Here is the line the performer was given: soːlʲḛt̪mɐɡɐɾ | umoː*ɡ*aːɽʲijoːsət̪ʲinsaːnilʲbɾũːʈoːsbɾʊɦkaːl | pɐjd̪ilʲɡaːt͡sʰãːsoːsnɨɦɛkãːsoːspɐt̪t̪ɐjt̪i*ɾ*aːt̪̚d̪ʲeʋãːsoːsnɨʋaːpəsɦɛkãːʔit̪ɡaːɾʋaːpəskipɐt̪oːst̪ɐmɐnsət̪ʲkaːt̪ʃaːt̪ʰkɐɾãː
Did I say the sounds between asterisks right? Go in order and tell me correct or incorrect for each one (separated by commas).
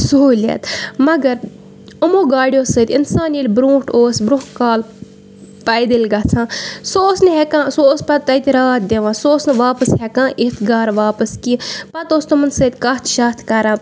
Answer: correct, correct